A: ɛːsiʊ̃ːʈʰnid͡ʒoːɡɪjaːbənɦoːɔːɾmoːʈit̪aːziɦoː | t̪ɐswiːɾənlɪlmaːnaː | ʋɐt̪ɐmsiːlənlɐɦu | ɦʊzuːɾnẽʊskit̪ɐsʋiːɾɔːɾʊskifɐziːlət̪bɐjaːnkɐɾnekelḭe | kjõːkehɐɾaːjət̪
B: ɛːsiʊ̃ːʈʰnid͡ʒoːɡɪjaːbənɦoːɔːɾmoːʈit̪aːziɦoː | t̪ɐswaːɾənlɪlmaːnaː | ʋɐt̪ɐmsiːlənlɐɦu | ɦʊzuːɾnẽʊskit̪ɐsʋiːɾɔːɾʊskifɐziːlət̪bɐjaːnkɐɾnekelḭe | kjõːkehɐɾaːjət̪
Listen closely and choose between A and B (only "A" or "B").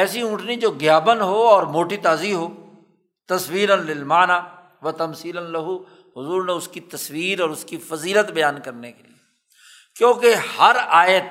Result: A